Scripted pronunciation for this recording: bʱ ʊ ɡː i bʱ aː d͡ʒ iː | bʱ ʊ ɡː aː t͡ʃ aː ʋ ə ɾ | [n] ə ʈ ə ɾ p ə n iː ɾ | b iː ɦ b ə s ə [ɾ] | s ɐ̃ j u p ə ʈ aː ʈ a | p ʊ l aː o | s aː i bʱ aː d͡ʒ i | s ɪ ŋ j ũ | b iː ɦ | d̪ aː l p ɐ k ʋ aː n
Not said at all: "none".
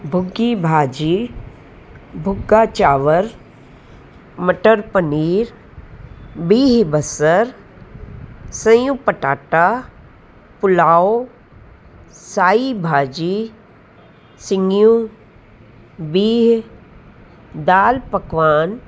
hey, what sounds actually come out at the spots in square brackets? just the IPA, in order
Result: m, ɾ

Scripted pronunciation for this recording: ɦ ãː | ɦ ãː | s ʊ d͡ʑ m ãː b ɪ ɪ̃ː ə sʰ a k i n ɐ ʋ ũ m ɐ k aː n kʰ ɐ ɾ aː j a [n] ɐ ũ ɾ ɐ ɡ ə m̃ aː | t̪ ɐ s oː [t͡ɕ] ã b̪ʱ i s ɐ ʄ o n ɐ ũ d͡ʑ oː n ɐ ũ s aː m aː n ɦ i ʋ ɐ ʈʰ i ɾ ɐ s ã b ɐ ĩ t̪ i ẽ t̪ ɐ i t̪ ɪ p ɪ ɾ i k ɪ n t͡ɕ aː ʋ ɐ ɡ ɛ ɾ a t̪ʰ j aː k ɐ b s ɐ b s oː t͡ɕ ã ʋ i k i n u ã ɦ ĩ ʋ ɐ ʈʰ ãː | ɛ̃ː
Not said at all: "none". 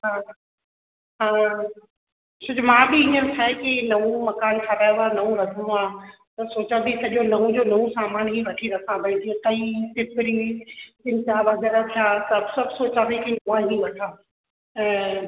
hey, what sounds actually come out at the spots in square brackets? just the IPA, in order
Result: n, t͡ɕ

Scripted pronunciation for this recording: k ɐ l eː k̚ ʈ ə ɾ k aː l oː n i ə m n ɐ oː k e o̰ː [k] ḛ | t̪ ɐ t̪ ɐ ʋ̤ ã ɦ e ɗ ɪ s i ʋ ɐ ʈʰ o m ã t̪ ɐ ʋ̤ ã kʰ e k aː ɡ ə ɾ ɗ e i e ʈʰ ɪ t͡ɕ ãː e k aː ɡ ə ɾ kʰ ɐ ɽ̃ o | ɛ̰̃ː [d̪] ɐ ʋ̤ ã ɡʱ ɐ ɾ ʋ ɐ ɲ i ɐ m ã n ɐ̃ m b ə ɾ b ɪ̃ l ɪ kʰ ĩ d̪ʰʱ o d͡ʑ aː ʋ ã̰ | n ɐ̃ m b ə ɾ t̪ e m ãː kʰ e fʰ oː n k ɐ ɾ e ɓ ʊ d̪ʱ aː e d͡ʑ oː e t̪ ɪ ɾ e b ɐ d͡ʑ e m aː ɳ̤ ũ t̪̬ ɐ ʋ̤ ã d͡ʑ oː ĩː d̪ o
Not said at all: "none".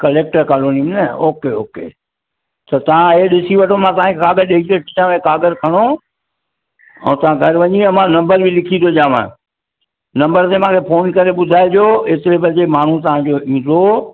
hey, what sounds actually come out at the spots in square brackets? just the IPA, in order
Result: k, t̪

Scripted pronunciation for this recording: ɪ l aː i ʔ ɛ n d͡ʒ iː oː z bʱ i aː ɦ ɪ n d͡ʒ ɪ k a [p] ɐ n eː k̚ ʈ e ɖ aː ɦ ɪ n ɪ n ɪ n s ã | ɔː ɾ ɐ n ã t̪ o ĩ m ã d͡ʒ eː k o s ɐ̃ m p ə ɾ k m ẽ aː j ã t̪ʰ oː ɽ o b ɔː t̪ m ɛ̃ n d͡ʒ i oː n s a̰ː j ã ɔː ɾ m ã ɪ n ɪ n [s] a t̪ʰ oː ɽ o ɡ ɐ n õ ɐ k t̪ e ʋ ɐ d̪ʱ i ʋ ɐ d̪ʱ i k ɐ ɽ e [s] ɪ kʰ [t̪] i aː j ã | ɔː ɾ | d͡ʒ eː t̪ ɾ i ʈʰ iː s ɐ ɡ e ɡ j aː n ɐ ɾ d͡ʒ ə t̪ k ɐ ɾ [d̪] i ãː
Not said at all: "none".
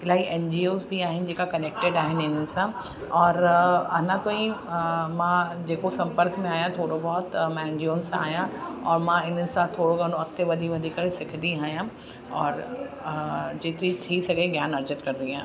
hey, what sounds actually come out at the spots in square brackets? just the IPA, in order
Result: k, s, s, d̪, d̪

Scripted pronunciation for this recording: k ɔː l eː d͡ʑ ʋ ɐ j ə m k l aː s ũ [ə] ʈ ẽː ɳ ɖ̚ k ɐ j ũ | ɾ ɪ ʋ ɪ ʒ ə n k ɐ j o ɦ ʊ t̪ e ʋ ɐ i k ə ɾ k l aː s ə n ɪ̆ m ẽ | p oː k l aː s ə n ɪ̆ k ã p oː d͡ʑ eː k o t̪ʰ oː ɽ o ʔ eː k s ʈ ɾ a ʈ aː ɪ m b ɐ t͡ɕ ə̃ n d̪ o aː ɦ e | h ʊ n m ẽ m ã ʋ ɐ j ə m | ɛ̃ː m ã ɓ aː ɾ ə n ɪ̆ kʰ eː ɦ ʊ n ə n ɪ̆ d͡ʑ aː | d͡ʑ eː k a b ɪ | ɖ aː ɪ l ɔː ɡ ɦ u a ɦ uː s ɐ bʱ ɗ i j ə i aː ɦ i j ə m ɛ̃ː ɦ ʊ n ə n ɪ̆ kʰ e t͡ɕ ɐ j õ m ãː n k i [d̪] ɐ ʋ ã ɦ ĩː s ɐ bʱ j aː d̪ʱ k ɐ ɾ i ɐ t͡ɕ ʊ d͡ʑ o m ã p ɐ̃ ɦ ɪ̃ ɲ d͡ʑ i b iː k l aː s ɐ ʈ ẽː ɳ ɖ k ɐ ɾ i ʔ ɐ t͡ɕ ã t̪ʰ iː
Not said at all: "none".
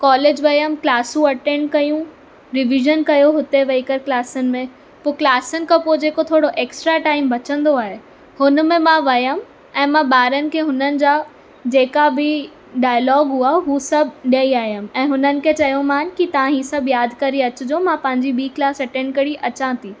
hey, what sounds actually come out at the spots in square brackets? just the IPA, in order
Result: ɐ, t̪

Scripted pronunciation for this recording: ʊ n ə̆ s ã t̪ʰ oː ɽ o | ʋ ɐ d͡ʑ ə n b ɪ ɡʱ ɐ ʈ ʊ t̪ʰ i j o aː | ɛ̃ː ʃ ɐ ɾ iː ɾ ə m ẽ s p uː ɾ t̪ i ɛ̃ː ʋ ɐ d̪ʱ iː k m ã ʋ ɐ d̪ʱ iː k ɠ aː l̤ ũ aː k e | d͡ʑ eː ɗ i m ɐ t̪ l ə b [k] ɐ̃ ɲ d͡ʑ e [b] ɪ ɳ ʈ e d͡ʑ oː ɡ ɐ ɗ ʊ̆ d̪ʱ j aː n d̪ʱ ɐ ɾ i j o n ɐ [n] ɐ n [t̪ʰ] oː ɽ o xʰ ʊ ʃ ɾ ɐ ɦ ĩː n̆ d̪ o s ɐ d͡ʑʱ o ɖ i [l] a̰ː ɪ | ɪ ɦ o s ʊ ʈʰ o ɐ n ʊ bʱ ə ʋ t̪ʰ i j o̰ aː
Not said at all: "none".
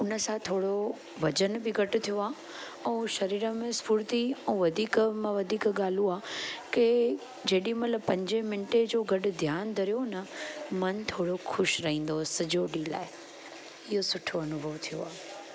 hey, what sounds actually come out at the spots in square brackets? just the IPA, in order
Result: p, m, m, t̪ʰ, l

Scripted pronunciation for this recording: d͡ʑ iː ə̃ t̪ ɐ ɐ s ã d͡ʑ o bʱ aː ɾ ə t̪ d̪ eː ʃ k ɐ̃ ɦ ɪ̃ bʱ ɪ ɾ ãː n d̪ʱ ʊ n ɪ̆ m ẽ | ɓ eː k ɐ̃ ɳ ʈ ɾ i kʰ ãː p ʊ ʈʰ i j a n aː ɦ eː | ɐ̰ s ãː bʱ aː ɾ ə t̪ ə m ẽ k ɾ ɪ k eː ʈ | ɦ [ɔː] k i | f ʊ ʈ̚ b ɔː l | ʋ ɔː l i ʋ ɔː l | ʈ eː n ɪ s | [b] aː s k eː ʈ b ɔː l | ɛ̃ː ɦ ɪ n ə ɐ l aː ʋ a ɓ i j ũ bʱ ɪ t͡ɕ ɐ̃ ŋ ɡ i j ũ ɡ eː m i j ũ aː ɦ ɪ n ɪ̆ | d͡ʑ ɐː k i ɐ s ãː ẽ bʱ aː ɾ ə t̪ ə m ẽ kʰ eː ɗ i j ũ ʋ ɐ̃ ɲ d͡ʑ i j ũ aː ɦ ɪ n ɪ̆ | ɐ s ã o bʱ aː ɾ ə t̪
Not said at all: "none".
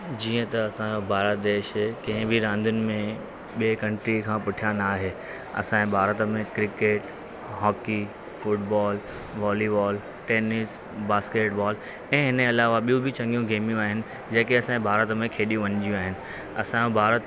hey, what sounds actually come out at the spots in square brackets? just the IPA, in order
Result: ɔː, b

